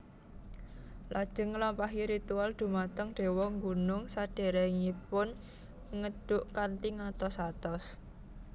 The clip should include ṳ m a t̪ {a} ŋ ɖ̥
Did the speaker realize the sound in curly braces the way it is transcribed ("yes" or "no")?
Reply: no